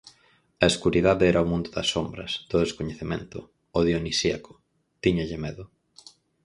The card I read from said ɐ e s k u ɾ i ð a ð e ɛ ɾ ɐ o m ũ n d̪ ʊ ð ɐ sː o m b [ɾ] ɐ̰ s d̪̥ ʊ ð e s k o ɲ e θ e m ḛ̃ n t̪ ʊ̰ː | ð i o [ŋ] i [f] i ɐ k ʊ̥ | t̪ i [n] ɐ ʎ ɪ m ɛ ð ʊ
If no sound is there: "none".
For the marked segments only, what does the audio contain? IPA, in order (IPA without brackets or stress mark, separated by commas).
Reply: ɾ, n, s, ɲ